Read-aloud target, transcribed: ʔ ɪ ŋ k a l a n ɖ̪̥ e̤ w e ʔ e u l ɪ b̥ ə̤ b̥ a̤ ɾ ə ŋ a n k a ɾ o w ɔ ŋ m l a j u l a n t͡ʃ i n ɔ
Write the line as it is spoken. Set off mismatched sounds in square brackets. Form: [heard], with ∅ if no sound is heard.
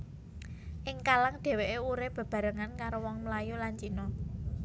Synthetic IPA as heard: ʔ ɪ ŋ k a l a [ŋ] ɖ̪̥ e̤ w e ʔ e u [ɾ] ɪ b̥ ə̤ b̥ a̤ ɾ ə ŋ a n k a ɾ o w ɔ ŋ m l a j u l a n t͡ʃ i n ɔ